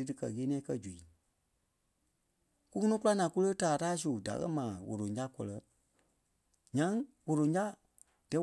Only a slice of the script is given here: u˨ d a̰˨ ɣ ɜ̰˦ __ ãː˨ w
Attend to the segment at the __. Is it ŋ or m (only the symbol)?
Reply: m